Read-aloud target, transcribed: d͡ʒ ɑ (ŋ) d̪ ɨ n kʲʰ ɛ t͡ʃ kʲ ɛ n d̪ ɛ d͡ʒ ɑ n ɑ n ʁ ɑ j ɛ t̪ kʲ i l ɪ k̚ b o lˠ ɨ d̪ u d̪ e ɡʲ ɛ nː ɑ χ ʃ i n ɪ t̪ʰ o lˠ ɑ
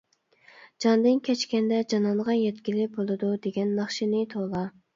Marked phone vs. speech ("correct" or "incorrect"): incorrect